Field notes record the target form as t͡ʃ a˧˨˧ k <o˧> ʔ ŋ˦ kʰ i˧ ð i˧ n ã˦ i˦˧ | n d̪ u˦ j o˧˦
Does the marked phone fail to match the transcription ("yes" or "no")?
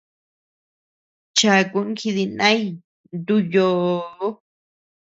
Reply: yes